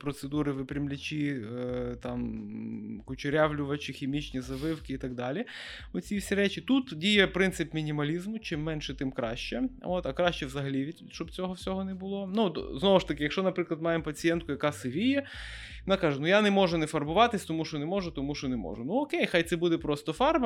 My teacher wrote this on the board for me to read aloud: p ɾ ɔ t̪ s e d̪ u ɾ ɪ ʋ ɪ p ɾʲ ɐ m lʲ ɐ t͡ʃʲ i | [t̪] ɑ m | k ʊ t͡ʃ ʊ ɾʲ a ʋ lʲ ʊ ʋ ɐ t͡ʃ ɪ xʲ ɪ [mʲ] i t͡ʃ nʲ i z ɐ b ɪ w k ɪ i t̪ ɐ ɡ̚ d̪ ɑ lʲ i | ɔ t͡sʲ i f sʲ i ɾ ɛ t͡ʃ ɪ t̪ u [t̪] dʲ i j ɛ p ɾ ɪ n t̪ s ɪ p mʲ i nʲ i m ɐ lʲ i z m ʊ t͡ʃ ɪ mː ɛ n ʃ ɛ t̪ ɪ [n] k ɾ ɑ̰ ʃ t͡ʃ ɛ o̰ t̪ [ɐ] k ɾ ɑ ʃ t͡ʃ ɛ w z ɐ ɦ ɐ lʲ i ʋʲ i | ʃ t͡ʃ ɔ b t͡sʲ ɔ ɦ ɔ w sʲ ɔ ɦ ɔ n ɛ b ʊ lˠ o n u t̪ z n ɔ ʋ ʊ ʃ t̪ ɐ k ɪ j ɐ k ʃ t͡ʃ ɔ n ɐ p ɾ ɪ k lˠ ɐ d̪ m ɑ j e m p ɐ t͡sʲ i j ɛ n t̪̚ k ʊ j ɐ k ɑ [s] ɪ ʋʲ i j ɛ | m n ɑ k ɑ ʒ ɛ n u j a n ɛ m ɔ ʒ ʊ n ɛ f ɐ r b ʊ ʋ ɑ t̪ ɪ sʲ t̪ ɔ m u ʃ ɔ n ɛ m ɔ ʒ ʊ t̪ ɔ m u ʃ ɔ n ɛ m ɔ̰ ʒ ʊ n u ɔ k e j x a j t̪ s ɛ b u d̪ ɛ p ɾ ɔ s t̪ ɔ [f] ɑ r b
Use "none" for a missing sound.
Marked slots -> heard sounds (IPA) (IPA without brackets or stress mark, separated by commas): t̪, mʲ, t̪, m, ɐ, s, f